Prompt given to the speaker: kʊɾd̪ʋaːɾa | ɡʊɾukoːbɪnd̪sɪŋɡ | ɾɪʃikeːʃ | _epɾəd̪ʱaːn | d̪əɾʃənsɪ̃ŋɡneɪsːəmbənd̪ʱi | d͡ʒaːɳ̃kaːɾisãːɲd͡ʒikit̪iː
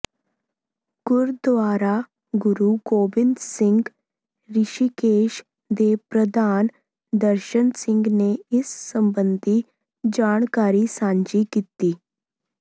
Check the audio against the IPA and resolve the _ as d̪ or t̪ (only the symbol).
d̪